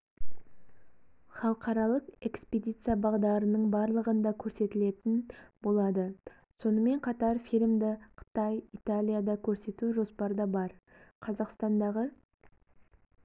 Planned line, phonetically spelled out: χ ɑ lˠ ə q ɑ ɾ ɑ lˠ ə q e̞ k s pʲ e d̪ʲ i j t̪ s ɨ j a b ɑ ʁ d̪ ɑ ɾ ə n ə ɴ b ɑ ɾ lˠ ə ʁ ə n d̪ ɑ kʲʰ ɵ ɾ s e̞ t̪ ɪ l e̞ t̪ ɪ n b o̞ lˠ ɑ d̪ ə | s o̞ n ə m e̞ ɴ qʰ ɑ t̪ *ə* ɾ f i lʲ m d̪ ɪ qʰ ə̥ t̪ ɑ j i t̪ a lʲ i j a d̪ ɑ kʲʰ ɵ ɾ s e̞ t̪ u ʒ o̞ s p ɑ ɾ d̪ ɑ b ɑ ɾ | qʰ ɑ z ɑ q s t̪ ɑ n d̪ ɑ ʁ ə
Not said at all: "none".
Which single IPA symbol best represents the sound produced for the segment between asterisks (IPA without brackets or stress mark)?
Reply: ɑ